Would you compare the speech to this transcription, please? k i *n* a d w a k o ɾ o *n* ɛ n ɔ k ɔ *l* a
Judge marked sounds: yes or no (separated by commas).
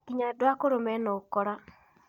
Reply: no, no, no